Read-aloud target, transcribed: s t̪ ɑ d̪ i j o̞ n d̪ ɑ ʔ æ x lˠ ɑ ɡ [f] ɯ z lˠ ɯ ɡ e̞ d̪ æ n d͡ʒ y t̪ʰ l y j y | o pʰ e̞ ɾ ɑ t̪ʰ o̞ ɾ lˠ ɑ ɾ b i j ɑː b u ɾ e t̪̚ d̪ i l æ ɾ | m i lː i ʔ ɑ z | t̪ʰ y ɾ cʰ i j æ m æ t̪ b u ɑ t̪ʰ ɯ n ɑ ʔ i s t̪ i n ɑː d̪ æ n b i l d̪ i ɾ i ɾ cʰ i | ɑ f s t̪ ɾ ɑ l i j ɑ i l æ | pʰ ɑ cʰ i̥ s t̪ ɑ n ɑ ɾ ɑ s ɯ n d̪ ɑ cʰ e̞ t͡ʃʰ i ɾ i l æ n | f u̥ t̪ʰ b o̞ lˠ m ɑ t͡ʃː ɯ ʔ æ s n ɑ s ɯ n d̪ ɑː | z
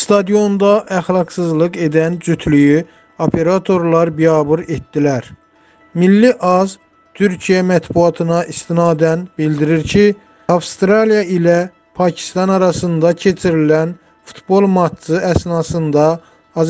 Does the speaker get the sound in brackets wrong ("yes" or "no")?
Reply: yes